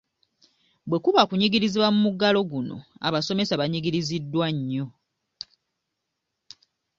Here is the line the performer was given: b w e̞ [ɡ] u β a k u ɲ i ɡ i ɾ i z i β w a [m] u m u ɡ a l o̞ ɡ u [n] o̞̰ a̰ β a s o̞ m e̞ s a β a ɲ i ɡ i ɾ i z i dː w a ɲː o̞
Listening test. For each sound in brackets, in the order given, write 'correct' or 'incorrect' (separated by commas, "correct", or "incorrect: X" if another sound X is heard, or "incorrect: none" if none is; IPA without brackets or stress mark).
incorrect: k, correct, correct